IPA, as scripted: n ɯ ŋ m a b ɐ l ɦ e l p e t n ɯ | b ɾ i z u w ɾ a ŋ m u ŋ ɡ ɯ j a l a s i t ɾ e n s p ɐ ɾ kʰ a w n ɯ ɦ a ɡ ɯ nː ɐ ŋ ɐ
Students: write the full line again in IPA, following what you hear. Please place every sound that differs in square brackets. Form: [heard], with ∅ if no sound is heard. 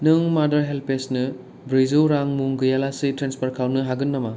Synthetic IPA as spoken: n ɯ ŋ m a [d] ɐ [ɾ] ɦ e l p e [s] n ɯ | b ɾ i z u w ɾ a ŋ m u ŋ ɡ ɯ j a l a s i t ɾ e n s p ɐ ɾ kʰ a w n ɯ ɦ a ɡ ɯ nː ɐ [m] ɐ